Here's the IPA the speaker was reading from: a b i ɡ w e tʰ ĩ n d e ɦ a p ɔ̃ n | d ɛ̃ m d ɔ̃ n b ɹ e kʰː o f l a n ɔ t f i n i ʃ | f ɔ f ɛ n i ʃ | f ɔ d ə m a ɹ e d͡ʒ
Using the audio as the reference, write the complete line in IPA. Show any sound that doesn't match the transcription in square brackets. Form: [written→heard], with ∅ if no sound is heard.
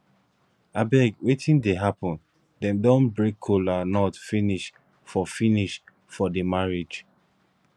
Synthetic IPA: a b [i→ɛ] ɡ w e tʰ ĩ n d e ɦ a p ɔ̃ n | d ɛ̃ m d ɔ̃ n b ɹ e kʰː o [f→∅] l a n ɔ t f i n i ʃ | f ɔ f [ɛ→i] n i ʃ | f ɔ d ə m a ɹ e d͡ʒ